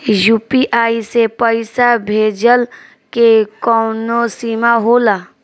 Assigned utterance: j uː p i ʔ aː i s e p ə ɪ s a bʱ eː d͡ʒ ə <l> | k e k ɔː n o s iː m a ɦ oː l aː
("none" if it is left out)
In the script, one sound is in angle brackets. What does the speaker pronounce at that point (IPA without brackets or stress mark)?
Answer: l